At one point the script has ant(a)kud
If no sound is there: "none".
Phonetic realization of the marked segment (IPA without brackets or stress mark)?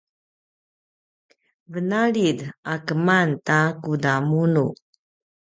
a